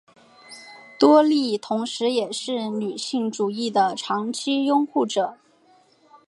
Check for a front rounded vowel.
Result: present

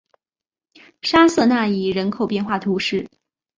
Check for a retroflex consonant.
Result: present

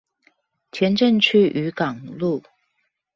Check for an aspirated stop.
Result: present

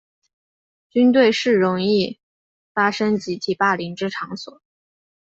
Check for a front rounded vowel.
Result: present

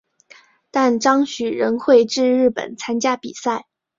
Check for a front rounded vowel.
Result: present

